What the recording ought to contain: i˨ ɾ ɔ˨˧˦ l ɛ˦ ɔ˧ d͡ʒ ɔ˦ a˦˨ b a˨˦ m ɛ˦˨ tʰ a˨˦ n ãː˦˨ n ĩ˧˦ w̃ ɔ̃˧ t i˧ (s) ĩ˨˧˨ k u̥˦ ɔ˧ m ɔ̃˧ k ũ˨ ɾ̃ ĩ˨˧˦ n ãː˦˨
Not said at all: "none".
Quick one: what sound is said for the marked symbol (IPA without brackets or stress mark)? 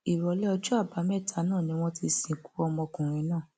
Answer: s